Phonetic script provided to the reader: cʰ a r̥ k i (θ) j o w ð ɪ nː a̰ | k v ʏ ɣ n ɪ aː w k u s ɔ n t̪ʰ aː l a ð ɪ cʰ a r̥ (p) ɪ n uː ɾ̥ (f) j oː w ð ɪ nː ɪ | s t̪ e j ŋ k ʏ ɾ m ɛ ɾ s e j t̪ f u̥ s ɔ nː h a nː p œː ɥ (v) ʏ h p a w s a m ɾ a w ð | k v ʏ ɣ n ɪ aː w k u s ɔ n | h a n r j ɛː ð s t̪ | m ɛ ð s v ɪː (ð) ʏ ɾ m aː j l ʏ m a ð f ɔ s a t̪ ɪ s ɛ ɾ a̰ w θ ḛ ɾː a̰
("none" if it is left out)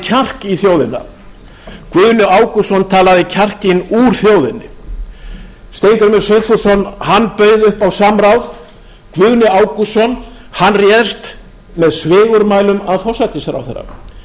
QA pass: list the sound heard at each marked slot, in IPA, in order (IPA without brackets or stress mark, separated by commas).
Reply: θ, c, θ, ð, ɣ